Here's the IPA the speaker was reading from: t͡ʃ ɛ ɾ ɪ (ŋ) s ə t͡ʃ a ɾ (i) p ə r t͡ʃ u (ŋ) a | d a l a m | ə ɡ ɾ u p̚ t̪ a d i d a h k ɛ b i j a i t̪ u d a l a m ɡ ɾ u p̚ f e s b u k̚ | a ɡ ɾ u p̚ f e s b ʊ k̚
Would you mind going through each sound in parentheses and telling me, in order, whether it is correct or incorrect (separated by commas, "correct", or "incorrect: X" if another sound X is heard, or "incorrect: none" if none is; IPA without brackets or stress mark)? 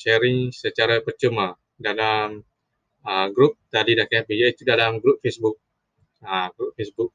correct, incorrect: a, incorrect: m